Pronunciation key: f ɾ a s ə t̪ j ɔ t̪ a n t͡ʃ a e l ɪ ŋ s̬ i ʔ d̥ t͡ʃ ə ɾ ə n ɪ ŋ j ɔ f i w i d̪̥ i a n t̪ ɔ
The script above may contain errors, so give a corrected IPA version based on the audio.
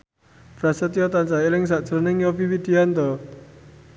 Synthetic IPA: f ɾ a s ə t̪ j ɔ t̪ a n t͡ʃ a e l ɪ ŋ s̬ a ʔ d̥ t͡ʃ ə ɾ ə n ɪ ŋ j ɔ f i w i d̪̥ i a n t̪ ɔ